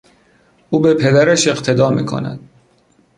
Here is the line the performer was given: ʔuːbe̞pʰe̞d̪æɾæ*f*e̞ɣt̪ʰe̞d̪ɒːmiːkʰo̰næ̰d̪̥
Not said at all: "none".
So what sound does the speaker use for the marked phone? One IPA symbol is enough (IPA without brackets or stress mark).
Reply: ʃ